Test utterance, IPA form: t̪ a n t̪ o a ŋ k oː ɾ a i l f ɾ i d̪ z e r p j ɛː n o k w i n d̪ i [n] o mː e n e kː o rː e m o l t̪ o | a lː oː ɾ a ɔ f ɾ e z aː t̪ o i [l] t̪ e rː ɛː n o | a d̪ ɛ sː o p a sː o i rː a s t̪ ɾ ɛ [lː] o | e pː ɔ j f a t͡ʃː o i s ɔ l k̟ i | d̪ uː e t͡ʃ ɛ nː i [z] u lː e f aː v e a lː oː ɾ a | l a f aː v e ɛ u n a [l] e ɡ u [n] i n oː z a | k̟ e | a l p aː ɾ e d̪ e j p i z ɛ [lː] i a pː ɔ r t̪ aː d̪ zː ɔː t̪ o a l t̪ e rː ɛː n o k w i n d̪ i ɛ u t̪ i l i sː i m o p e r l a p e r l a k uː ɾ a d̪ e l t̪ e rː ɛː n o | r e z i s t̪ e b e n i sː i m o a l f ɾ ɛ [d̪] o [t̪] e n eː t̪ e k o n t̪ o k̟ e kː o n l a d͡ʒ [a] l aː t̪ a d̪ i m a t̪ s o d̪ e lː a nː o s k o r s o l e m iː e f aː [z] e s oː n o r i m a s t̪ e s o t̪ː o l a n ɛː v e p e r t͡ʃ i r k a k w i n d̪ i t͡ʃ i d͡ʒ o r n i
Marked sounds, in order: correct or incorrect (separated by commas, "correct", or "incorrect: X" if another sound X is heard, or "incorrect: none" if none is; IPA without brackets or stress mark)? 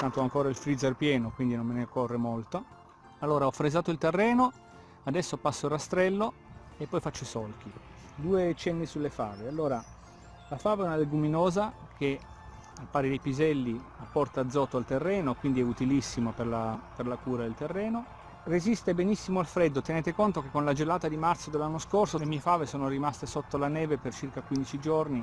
correct, correct, correct, incorrect: s, correct, incorrect: m, correct, incorrect: d̪ː, correct, incorrect: e, incorrect: v